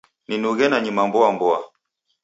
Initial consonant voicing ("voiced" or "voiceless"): voiced